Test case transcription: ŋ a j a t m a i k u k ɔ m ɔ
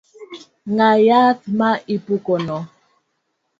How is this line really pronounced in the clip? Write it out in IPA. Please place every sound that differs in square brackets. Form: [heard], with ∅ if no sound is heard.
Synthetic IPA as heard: ŋ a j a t m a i [p] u k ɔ [n] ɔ